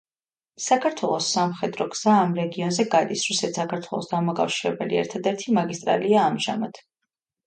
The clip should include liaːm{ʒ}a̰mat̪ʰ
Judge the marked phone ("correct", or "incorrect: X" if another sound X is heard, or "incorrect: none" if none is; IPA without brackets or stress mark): correct